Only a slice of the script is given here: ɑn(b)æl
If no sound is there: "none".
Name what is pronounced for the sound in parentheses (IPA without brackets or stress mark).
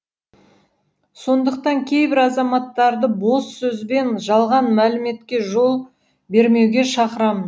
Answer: m